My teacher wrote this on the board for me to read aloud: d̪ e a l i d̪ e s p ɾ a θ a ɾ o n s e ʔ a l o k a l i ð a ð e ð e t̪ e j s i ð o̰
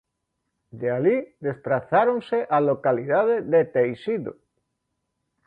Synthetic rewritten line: d̪ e a l i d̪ e s p ɾ a θ a ɾ o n s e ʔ a l o k a l i ð a ð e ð e t̪ e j s i ð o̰